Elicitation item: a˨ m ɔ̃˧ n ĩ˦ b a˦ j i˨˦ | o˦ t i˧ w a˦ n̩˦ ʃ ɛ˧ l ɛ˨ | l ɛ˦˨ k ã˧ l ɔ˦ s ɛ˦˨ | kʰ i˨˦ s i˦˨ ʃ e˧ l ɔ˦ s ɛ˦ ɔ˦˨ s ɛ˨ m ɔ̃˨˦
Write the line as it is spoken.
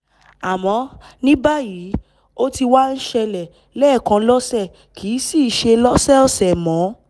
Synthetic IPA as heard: a˨ m ɔ̃˧ n ĩ˦ b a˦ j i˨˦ | o˦ t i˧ w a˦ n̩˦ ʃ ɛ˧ l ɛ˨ | l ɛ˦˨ k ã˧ l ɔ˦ s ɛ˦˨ | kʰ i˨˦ s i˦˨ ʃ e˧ l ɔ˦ s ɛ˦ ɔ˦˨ s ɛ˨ m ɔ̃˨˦